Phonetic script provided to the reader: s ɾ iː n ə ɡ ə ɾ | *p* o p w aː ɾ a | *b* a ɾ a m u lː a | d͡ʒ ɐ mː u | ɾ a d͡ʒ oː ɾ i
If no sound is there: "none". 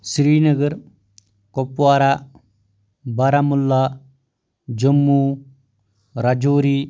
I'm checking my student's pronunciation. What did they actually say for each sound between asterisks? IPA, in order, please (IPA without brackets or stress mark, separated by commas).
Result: k, b